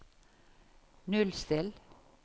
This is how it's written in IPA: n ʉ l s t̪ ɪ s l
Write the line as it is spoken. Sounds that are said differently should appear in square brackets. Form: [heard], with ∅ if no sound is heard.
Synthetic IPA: n ʉ l s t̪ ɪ [∅] l